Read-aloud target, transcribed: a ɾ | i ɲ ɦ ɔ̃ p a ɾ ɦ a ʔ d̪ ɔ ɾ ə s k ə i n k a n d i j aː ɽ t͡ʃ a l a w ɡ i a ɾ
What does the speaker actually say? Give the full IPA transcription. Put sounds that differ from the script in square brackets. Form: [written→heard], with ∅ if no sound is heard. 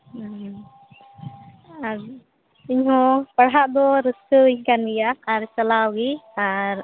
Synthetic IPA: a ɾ | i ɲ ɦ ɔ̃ p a [ɾ→ɽ] ɦ a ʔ d̪ ɔ ɾ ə s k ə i [n→ɲ] k a n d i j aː [ɽ→ɾ] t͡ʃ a l a w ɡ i a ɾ